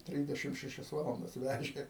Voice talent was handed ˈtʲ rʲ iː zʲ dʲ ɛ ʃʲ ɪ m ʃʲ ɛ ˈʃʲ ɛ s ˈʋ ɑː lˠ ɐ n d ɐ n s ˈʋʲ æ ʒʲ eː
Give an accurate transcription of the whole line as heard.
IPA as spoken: ˈtʲ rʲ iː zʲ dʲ ɛ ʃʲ ɪ m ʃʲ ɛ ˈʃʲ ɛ s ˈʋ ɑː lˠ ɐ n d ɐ s ˈʋʲ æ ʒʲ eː